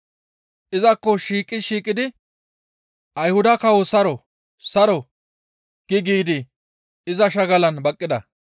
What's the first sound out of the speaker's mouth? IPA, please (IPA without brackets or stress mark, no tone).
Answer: ʔ